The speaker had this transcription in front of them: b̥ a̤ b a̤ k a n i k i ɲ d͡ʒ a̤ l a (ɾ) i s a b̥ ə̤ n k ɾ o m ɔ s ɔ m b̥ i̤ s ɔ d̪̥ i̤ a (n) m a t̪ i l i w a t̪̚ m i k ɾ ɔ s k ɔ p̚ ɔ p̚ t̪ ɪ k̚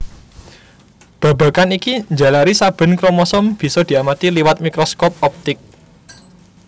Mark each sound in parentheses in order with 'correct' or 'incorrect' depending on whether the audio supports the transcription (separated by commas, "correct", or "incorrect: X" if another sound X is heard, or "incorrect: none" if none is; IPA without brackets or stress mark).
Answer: correct, incorrect: none